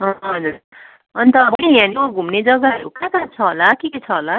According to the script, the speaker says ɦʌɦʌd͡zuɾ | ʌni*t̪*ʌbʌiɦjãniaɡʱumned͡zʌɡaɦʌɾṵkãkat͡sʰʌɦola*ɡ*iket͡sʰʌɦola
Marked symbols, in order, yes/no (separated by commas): yes, no